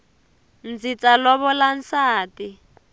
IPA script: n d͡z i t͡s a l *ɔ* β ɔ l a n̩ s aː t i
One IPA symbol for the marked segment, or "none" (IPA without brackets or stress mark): ɔ